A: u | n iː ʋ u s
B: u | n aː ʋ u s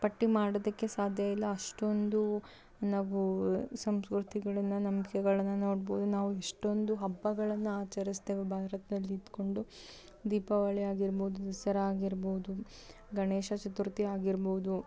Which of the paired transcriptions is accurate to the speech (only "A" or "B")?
B